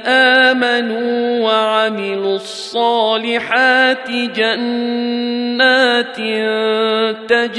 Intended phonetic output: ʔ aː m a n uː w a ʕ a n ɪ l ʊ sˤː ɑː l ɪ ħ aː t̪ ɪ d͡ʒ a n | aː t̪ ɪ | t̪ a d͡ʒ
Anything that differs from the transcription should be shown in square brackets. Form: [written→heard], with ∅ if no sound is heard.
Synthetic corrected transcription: ʔ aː m a n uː w a ʕ a [n→m] ɪ l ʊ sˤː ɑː l ɪ ħ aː t̪ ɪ d͡ʒ a [n→nː] | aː t̪ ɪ | t̪ a d͡ʒ